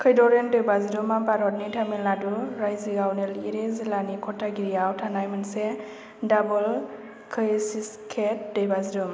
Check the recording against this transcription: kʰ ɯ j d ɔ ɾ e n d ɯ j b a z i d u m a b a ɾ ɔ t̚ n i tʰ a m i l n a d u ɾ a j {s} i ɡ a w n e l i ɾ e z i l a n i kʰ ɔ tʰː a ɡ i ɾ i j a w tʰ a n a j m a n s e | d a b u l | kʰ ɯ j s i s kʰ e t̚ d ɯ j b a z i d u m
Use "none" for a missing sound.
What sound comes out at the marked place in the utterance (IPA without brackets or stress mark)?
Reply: z